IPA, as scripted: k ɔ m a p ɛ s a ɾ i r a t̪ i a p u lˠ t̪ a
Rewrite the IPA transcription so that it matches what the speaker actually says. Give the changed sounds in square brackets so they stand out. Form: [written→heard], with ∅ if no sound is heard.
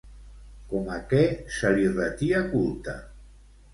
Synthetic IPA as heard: k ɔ m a [p→k] ɛ s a [ɾ→l] i r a t̪ i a [p→k] u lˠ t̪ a